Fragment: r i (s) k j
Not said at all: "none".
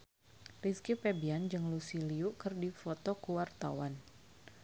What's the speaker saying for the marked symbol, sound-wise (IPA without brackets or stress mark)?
s